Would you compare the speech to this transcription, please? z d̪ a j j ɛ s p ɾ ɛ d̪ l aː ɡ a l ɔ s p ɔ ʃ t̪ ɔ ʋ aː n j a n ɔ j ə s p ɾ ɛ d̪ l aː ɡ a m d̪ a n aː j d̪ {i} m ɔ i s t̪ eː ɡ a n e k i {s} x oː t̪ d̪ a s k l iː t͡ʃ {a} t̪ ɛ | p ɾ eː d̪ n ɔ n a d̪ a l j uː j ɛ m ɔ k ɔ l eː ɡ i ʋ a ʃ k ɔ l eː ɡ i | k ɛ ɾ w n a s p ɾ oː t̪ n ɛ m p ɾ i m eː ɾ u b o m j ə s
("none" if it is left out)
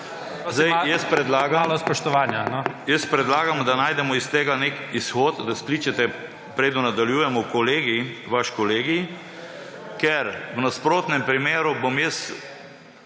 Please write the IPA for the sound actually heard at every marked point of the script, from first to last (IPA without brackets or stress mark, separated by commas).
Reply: ɛ, s, ɛ